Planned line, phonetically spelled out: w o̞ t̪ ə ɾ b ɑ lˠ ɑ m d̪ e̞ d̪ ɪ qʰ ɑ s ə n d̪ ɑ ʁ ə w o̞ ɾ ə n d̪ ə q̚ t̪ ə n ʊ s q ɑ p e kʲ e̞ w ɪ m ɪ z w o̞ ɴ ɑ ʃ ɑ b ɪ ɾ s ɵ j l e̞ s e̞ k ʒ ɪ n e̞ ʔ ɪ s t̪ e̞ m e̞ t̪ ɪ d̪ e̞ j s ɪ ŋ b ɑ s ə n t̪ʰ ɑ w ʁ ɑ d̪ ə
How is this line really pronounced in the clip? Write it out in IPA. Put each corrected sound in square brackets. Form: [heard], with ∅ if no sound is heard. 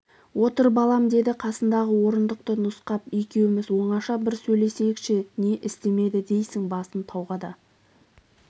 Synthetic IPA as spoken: w o̞ t̪ ə ɾ b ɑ lˠ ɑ m d̪ e̞ d̪ ɪ qʰ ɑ s ə n d̪ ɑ ʁ ə w o̞ ɾ ə n d̪ ə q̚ t̪ ə n ʊ s q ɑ p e kʲ e̞ w ɪ m ɪ z w o̞ ɴ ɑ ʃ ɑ b ɪ ɾ s ɵ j l e̞ s e̞ k [ʃ] ɪ n e̞ ʔ ɪ s t̪ e̞ m e̞ [d̪] ɪ d̪ e̞ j s ɪ ŋ b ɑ s ə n t̪ʰ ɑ w ʁ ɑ d̪ [ɑ]